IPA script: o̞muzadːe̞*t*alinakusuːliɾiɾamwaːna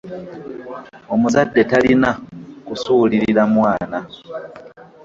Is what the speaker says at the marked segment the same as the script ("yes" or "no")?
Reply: yes